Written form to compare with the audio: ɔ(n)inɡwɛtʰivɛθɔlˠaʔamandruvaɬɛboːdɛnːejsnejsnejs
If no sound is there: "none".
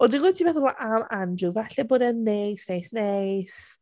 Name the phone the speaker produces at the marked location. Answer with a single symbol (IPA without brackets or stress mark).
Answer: d